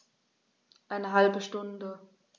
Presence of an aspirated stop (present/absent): absent